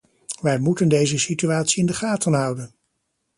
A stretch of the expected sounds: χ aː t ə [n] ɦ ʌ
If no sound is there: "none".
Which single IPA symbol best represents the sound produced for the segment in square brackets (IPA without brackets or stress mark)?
n